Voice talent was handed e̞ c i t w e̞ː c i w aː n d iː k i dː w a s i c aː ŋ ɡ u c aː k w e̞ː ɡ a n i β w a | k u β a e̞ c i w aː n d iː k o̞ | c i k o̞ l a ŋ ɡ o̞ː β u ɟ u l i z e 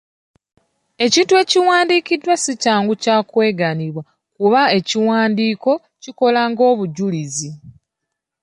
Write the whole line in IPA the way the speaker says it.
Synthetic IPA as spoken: e̞ c i t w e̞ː c i w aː n d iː k i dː w a s i c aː ŋ ɡ u c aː k w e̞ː ɡ a n i β w a | k u β a e̞ c i w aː n d iː k o̞ | c i k o̞ l a ŋ ɡ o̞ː β u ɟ u l i z i